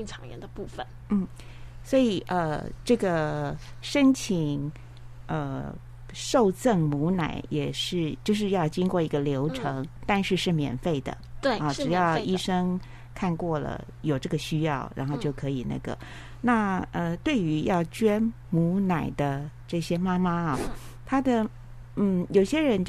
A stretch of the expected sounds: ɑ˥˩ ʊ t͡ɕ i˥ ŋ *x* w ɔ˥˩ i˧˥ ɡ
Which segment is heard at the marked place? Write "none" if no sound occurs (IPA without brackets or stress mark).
k